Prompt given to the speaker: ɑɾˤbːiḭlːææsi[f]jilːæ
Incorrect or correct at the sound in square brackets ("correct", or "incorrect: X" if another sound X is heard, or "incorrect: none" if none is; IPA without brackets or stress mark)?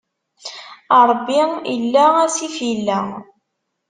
correct